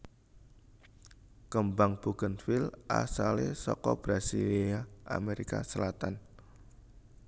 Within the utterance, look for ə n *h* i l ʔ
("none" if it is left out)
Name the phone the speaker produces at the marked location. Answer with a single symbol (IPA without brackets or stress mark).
f